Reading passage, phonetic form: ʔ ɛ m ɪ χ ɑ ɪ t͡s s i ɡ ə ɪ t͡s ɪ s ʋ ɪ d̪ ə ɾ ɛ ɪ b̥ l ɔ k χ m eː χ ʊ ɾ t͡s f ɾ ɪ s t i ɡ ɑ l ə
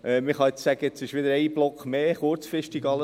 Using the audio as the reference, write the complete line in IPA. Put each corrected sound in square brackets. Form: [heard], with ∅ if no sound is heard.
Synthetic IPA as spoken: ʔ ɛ m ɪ χ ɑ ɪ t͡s s [æ] ɡ ə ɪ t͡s ɪ [ʃ] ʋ ɪ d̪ ə ɾ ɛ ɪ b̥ l ɔ k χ m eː χ ʊ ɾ t͡s f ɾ ɪ [ʃ] t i ɡ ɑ l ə